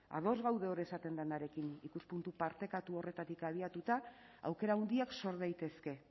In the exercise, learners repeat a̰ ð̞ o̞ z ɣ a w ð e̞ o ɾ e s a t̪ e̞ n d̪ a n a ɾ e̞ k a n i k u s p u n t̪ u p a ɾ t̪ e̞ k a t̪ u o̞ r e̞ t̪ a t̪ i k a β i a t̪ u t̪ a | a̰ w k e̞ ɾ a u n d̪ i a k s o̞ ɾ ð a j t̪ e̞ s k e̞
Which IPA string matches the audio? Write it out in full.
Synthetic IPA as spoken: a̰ ð̞ o̞ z ɣ a w ð e̞ o ɾ e s a t̪ e̞ n d̪ a n a ɾ e̞ k i n i k u s p u n t̪ u p a ɾ t̪ e̞ k a t̪ u o̞ r e̞ t̪ a t̪ i k a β i a t̪ u t̪ a | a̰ w k e̞ ɾ a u n d̪ i a k s o̞ ɾ ð a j t̪ e̞ s k e̞